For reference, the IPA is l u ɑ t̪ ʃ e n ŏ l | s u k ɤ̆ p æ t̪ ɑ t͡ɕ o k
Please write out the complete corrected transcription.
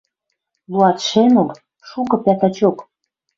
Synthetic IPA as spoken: l u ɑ t̪ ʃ e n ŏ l | ʃ u k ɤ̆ p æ t̪ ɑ t͡ɕ o k